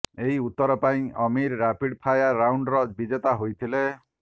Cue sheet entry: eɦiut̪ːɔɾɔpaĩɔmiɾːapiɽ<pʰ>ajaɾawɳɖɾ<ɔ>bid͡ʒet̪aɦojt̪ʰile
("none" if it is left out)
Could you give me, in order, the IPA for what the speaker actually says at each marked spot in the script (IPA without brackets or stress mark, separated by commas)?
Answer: pʰ, ɔ